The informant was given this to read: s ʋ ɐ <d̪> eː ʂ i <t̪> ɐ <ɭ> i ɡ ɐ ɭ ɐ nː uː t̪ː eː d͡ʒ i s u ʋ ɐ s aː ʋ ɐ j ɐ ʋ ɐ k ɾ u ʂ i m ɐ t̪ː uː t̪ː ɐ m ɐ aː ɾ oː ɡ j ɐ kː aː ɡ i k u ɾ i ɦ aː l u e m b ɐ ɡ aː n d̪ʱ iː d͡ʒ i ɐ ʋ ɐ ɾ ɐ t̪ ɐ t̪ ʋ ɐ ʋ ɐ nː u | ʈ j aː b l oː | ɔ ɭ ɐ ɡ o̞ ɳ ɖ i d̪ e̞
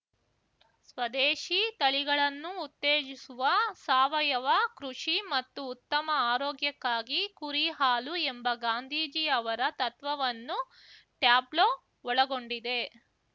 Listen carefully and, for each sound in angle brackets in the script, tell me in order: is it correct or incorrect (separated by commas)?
correct, correct, correct